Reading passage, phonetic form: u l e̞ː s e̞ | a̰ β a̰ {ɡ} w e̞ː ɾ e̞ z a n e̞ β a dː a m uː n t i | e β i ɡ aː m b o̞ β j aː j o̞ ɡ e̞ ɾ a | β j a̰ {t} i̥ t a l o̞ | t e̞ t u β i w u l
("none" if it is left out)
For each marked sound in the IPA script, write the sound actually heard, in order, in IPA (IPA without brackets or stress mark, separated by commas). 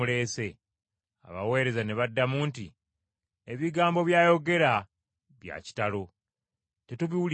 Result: none, c